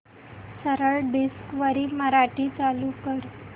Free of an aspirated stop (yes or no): yes